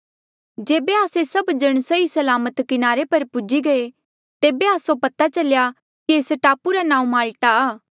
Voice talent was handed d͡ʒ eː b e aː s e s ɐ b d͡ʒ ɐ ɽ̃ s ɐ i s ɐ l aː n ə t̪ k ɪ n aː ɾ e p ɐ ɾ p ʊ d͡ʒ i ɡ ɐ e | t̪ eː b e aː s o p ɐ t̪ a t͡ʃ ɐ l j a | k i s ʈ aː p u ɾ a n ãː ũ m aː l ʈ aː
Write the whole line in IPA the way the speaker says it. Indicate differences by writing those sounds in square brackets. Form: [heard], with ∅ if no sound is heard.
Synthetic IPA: d͡ʒ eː b e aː s e s ɐ b d͡ʒ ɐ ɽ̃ s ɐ i s ɐ l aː [m] ə t̪ k ɪ n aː ɾ e p ɐ ɾ p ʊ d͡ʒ i ɡ ɐ e | t̪ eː b e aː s o p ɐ t̪ a t͡ʃ ɐ l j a | k i s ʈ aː p u ɾ a n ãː ũ m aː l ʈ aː